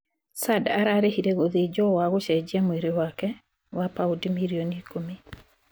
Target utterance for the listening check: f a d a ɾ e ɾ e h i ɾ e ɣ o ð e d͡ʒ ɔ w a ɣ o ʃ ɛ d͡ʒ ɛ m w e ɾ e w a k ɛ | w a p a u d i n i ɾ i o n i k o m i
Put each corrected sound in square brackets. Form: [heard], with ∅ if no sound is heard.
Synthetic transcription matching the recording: [s] a d a ɾ [a] ɾ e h i ɾ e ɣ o ð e d͡ʒ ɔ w a ɣ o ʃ ɛ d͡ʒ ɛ m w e ɾ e w a k ɛ | w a p a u d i [m] i ɾ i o n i k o m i